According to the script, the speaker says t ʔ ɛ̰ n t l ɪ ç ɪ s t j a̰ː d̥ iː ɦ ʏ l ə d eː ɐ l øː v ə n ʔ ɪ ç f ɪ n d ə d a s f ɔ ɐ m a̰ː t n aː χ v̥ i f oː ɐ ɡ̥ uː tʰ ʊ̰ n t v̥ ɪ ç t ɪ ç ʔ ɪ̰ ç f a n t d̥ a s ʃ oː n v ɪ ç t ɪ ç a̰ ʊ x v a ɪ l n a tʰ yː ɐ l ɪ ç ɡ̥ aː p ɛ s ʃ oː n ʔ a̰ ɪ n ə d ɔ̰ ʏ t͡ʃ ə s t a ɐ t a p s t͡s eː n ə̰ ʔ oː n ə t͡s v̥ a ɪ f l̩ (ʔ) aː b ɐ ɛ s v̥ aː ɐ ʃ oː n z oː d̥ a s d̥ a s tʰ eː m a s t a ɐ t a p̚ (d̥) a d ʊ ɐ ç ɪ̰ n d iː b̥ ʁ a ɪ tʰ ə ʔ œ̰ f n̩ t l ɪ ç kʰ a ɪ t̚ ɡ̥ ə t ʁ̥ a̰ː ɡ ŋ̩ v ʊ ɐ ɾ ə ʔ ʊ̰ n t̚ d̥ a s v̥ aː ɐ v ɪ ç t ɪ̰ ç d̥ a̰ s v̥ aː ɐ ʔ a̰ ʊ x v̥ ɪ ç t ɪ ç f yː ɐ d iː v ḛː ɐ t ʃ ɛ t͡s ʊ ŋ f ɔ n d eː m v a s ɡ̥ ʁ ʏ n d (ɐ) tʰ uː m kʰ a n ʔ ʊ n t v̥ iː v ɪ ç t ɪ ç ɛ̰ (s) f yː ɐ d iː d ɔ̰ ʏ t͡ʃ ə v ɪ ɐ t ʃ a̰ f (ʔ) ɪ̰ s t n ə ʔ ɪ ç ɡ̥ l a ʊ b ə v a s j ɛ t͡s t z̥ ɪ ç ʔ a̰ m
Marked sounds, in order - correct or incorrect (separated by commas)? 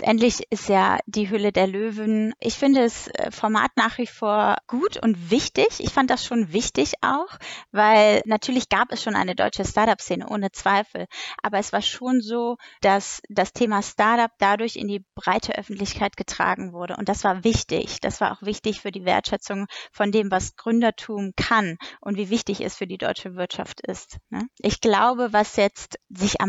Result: correct, correct, correct, correct, incorrect